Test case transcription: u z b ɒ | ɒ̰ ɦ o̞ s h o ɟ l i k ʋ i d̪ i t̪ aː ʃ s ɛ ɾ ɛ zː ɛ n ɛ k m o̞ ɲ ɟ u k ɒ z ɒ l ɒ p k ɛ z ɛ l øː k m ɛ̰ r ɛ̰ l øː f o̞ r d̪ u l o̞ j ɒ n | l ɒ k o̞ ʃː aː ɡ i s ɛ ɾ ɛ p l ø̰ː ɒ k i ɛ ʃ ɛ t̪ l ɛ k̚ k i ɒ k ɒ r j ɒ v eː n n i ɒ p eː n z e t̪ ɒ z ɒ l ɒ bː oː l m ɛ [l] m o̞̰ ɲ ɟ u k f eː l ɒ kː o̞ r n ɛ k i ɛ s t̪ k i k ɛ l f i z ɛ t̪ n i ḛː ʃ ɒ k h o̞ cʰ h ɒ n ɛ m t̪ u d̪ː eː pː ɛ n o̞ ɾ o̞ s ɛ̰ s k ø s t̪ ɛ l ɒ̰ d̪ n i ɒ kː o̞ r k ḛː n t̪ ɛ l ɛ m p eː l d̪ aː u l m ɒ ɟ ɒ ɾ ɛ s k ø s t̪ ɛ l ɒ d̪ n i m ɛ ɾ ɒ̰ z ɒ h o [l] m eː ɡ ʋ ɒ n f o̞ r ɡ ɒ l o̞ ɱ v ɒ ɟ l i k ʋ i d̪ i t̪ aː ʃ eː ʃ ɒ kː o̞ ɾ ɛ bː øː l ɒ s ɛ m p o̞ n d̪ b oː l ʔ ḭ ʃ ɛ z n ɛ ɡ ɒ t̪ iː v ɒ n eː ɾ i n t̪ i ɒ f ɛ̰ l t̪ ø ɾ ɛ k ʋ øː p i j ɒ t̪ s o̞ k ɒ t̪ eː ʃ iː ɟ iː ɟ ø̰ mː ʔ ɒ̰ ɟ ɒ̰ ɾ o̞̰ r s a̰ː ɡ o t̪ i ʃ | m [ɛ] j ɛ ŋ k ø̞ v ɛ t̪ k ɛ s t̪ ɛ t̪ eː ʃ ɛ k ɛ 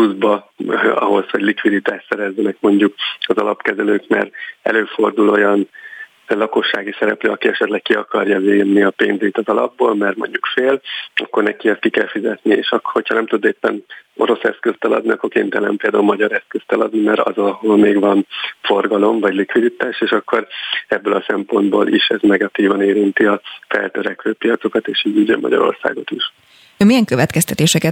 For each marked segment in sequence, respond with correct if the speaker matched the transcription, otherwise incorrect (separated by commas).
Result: incorrect, correct, incorrect